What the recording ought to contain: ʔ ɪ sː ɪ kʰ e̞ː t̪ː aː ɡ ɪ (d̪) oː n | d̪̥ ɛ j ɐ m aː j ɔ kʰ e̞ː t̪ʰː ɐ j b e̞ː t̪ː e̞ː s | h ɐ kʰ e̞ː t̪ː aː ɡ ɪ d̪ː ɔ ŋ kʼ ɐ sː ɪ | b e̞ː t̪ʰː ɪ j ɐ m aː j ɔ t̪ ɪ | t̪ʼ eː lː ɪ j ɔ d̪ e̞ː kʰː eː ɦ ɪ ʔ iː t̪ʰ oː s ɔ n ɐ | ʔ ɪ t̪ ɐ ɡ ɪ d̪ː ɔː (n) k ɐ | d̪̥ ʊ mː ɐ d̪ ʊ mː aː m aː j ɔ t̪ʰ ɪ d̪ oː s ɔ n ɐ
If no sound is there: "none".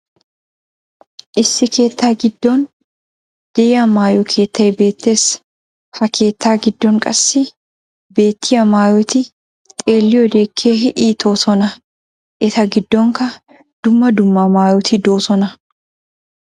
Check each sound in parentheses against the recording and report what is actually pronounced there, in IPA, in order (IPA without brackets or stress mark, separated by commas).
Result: d̪ː, ŋ